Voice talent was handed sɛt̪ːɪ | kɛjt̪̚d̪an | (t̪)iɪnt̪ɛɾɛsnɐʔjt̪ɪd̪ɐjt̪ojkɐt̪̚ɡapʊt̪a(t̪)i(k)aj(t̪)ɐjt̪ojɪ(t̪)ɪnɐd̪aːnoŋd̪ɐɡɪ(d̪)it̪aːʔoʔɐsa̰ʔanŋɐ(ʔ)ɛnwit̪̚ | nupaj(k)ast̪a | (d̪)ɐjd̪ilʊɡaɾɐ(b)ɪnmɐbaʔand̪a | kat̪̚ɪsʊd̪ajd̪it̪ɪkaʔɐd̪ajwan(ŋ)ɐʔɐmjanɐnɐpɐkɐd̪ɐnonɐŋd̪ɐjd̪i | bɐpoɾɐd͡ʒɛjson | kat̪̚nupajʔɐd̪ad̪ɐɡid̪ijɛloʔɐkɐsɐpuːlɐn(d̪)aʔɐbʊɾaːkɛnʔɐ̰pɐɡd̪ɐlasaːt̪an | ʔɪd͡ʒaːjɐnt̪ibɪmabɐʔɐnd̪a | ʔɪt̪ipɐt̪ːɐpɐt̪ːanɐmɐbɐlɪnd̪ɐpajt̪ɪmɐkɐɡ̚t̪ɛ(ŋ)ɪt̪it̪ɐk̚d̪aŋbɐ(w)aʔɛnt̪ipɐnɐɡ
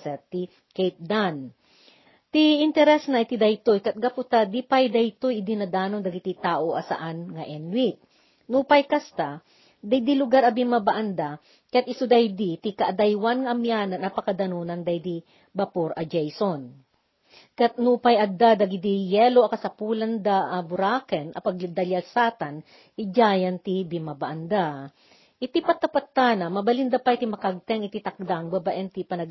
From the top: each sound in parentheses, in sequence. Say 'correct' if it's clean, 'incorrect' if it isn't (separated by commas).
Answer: correct, incorrect, incorrect, incorrect, incorrect, incorrect, correct, correct, correct, correct, correct, correct, correct, incorrect